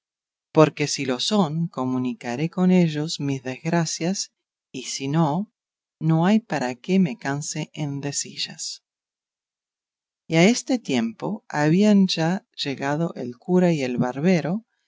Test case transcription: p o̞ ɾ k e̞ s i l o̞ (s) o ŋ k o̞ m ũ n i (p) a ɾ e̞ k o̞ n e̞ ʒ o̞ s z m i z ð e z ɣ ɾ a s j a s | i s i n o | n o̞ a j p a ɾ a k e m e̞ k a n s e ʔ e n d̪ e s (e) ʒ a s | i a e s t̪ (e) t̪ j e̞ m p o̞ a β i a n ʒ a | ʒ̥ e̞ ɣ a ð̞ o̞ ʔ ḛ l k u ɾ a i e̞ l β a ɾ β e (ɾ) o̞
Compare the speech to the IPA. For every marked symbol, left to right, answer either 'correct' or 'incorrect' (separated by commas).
correct, incorrect, incorrect, correct, correct